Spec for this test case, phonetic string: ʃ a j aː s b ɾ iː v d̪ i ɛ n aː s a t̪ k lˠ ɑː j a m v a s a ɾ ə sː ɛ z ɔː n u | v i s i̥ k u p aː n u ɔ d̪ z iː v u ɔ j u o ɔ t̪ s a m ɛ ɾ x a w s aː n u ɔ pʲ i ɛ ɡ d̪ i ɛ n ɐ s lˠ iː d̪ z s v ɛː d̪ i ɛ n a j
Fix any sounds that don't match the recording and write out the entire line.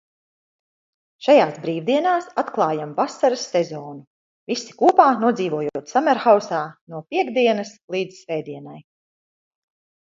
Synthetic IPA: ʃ a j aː s b ɾ iː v d̪ i ɛ n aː s a t̪ k lˠ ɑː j a m v a s a ɾ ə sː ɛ z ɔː n u | v i s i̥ k uː p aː n u ɔ d̪ z iː v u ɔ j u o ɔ t̪ s a m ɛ ɾ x a w s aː n u ɔ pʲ i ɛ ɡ d̪ i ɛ n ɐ s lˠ iː d̪ z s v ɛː d̪ i ɛ n a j